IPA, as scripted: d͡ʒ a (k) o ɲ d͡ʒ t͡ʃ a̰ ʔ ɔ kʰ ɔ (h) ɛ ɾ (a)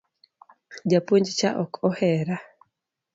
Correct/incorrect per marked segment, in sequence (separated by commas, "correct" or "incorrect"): incorrect, correct, correct